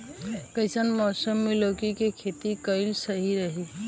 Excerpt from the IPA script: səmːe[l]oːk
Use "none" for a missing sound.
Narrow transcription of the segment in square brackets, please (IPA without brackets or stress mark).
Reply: l